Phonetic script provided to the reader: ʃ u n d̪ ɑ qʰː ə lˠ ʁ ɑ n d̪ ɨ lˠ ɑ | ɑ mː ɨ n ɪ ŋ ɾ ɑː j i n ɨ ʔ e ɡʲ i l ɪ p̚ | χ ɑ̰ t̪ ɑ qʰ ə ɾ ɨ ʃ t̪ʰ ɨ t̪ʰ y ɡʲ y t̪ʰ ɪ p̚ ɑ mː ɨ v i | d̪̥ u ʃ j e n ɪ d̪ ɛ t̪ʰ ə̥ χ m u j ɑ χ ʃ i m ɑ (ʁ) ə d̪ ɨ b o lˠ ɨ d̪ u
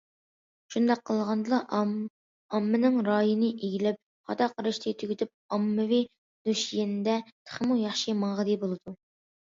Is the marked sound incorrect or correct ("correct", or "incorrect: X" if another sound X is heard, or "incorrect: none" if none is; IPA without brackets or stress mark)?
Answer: correct